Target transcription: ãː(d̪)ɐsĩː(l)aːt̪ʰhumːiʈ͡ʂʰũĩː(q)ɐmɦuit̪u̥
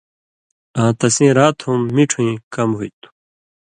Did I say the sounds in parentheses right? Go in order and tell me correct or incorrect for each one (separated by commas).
incorrect, incorrect, incorrect